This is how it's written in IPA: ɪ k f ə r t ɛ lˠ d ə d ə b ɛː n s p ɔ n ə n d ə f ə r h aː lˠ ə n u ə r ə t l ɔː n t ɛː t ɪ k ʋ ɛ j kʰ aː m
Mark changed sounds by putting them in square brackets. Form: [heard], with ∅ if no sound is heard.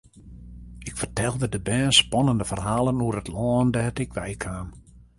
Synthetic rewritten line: ɪ k f ə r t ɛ lˠ d ə d ə b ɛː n s p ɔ n ə n d ə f ə r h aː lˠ ə n u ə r ə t l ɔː n [d] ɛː t ɪ k ʋ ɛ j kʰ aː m